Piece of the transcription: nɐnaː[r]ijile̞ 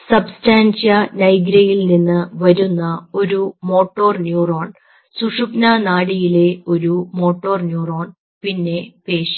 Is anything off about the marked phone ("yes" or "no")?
yes